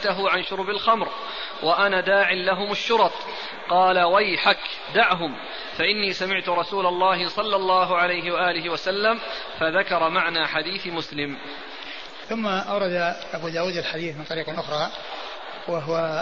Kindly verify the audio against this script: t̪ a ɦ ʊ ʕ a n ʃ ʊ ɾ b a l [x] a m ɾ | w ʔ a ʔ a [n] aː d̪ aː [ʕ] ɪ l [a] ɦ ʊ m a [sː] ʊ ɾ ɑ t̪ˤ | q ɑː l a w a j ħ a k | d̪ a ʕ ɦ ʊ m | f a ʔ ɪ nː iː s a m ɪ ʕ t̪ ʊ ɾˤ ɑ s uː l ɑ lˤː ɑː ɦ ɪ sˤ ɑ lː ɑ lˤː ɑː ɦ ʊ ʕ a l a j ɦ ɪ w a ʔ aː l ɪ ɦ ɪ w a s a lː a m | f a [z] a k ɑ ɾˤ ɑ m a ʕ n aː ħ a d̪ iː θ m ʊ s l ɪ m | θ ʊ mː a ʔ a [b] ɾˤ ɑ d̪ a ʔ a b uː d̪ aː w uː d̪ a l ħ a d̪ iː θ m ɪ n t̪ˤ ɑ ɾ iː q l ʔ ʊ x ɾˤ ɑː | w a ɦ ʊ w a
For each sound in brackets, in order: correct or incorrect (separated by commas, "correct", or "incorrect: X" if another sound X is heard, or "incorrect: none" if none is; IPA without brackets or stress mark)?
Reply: correct, correct, correct, correct, incorrect: ʃː, incorrect: ð, incorrect: w